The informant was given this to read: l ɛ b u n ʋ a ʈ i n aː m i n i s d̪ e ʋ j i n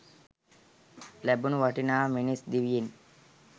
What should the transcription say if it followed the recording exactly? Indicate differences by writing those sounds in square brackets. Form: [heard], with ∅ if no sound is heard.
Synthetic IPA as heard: l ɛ b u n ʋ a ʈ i n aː m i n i s d̪ [i] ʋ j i n

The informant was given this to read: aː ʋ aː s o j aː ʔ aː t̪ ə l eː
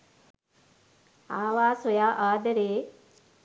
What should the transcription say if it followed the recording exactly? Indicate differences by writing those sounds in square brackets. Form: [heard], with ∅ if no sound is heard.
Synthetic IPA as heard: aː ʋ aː s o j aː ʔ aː [d̪] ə [ɾ] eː

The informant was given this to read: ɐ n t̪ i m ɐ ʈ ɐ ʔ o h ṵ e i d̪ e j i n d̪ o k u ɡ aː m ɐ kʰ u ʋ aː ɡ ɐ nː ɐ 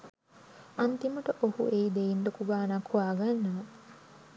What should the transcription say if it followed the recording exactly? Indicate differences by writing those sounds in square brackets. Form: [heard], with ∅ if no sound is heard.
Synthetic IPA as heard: ɐ n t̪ i m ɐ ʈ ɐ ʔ o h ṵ e i d̪ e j i n d̪ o k u ɡ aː [n] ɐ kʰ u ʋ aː ɡ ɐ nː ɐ

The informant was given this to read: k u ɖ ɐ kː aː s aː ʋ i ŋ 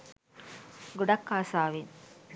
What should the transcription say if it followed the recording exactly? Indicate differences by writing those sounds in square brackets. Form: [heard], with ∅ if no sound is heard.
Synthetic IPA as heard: [ɡ] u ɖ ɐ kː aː s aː ʋ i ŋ

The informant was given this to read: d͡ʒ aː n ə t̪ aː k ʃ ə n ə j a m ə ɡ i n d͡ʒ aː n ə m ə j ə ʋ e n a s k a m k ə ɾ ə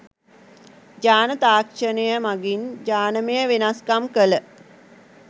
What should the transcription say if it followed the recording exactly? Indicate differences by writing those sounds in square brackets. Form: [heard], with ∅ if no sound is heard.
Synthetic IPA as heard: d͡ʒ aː n ə t̪ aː k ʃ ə n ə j [ə] m [a] ɡ i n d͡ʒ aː n ə m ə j ə ʋ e n a s k a m k ə [l] ə

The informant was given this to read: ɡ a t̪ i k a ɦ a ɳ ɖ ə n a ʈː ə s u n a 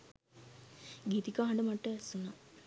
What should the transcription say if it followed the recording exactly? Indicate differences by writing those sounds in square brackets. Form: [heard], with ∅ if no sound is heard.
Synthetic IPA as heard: ɡ [i] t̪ i k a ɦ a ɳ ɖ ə [m] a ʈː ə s u n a

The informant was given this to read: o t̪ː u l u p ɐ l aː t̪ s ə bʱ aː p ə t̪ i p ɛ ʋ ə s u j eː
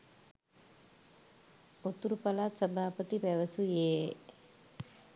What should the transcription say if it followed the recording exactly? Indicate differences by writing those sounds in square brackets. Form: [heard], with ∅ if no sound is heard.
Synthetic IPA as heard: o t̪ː u [ɾ] u p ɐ l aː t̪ s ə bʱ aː p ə t̪ i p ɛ ʋ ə s u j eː

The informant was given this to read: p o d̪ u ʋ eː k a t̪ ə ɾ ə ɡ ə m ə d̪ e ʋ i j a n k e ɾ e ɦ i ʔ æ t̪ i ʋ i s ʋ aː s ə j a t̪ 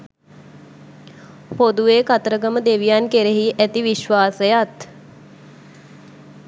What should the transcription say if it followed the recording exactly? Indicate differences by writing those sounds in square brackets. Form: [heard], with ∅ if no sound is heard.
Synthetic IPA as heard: p o d̪ u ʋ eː k a t̪ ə ɾ ə ɡ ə m ə d̪ e ʋ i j a n k e ɾ e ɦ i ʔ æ t̪ i ʋ i [ʃ] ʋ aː s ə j a t̪

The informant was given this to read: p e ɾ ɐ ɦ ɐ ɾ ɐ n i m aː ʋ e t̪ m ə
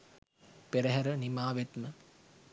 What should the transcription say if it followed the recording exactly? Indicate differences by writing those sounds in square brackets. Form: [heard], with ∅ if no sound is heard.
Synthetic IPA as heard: p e ɾ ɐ ɦ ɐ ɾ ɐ n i m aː ʋ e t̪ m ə

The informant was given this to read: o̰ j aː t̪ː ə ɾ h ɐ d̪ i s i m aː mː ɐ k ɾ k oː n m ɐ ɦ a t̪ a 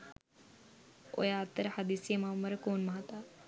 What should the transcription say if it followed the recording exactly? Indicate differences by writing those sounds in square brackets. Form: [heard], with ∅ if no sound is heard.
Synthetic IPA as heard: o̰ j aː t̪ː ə ɾ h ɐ d̪ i s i m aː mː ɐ [∅] ɾ k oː n m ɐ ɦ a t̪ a

